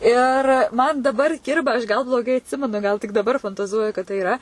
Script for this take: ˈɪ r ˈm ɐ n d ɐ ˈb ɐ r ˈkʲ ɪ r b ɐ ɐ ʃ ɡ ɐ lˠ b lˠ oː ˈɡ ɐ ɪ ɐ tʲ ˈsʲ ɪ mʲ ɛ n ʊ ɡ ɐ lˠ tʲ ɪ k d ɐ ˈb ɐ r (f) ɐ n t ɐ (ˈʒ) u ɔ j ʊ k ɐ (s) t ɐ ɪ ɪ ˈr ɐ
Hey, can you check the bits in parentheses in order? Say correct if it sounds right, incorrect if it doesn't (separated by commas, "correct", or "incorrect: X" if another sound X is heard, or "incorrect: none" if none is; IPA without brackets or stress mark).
correct, incorrect: z, incorrect: t